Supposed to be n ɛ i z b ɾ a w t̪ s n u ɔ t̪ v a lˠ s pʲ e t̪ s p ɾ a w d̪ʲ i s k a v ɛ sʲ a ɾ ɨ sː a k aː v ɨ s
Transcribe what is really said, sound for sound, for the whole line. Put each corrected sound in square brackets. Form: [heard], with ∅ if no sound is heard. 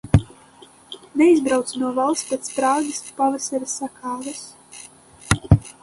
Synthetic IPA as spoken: n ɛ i z b ɾ a w t̪ s n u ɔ [∅] v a lˠ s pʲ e t̪ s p ɾ a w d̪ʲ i s [p] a v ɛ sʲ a ɾ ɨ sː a k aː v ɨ s